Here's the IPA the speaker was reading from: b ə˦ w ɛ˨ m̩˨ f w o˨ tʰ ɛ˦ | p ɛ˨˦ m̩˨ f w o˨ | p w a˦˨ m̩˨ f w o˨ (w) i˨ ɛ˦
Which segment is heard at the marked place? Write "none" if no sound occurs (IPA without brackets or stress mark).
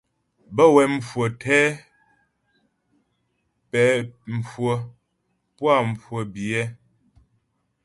b